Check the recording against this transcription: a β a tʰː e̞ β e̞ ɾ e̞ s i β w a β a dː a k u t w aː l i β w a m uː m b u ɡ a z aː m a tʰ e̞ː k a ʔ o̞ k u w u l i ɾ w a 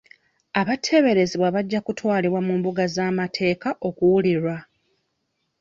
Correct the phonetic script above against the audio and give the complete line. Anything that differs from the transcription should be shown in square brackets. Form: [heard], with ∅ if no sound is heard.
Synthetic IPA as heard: a β a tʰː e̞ β e̞ ɾ e̞ [z] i β w a β a [ɟː] a k u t w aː l i β w a m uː m b u ɡ a z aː m a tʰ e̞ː k a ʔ o̞ k u w u l i ɾ w a